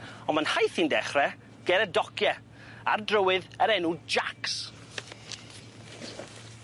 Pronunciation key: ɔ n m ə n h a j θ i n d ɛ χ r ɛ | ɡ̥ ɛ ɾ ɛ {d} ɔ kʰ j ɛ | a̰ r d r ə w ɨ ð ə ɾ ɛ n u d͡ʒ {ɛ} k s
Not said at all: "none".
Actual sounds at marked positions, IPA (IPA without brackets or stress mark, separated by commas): d, a